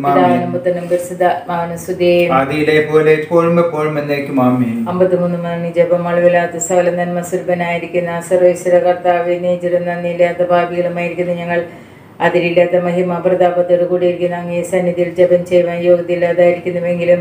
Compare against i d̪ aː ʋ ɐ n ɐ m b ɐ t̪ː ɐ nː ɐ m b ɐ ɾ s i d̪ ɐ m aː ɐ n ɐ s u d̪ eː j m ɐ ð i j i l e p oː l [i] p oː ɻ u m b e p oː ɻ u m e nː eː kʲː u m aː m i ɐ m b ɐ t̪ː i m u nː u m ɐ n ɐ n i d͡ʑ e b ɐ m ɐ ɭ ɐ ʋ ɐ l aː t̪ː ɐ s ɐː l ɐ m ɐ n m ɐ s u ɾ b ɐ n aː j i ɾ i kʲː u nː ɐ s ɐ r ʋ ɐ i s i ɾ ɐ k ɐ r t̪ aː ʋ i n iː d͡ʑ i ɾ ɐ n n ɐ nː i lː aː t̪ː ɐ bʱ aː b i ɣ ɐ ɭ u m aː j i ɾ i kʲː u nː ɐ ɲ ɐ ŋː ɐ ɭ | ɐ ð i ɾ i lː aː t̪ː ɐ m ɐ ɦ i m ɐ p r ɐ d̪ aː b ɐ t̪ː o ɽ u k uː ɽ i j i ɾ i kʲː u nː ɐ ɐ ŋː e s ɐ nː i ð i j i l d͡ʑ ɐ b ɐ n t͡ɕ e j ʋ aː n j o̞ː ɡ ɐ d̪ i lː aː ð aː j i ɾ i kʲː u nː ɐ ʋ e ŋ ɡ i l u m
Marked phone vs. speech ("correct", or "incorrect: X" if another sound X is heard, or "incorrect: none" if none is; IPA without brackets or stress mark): incorrect: e